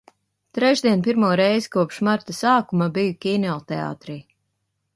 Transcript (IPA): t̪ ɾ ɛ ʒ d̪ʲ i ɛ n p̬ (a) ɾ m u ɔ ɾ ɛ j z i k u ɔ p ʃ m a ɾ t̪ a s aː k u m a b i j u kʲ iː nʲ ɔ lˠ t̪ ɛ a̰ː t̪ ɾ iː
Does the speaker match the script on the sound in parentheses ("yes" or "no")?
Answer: no